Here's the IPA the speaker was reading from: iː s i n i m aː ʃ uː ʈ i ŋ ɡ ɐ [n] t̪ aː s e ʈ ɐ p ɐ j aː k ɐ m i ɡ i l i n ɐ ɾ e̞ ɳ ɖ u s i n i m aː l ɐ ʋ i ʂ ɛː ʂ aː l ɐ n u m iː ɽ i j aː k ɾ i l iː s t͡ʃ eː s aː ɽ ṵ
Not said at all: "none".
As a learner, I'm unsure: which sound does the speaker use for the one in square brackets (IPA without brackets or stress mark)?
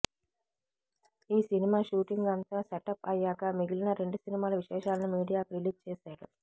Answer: n